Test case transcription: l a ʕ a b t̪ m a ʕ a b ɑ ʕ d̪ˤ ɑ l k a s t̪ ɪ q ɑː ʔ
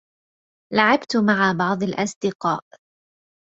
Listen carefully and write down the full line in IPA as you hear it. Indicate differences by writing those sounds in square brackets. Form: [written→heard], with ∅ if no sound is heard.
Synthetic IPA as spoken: l a ʕ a b t̪ m a ʕ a b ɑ ʕ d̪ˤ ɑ l [k→ʔ] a s [t̪→d̪] ɪ q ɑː ʔ